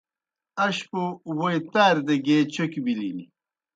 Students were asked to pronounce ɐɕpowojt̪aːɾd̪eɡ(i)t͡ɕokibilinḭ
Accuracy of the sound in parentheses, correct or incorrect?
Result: incorrect